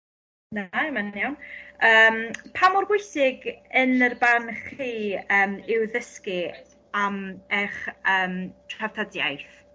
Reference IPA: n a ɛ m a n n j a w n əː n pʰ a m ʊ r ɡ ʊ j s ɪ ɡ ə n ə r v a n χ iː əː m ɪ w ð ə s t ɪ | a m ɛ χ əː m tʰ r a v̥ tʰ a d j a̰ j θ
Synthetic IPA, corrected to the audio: n a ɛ m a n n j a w n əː m pʰ a m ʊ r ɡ ʊ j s ɪ ɡ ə n ə r b a n χ iː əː m ɪ w ð ə s k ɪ | a m ɛ χ əː m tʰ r a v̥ tʰ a d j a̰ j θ